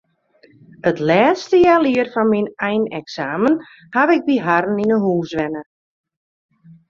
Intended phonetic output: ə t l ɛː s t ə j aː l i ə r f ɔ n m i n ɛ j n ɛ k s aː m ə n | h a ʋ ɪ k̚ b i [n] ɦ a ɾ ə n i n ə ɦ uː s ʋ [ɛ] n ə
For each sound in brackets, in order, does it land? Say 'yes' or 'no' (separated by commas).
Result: no, yes